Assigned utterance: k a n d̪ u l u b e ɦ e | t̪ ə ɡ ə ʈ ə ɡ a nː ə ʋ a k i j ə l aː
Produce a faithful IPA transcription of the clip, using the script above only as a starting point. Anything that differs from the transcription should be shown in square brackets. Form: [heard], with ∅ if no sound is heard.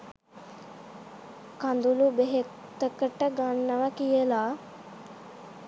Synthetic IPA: k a n d̪ u l u b e ɦ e | t̪ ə [k] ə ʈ ə ɡ a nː ə ʋ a k i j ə l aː

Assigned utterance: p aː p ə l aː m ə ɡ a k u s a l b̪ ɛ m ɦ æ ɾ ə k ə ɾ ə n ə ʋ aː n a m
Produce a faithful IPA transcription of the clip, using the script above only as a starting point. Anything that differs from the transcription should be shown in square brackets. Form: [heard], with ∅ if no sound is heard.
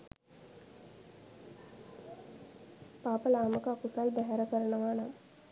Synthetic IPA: p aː p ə l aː m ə [k] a k u s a l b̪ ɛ [∅] ɦ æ ɾ ə k ə ɾ ə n ə ʋ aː n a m

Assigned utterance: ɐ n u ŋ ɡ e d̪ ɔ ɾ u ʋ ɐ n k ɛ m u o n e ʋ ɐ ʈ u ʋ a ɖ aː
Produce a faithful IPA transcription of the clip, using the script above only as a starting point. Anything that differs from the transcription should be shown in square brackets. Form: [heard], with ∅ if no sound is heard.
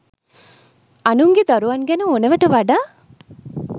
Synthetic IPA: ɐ n u ŋ ɡ e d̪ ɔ ɾ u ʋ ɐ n [ɡ] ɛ [n] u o n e ʋ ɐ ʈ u ʋ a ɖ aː

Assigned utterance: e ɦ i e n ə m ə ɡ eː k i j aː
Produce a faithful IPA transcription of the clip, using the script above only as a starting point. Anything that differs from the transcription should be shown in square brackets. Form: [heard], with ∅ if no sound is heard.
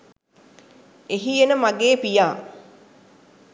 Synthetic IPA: e ɦ i e n ə m [a] ɡ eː [p] i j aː

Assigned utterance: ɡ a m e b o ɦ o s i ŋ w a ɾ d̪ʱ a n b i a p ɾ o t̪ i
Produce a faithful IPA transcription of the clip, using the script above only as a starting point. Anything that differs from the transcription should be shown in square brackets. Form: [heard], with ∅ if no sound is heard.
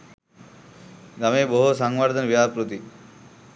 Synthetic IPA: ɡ a m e b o ɦ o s [a] ŋ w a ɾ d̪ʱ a n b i a p ɾ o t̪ i

